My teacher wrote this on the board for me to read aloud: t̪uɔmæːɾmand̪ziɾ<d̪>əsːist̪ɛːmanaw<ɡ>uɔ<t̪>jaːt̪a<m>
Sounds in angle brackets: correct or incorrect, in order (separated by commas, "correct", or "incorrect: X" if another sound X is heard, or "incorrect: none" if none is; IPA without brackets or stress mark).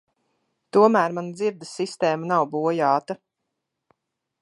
correct, incorrect: b, incorrect: none, incorrect: none